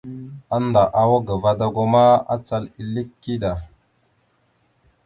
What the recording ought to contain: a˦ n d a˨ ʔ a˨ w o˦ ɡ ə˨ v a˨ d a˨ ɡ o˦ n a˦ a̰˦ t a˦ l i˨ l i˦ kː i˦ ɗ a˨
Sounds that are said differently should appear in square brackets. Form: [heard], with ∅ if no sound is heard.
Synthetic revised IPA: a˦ n d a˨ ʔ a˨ w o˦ ɡ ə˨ v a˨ d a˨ ɡ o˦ [m] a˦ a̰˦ [t͡s] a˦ l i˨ l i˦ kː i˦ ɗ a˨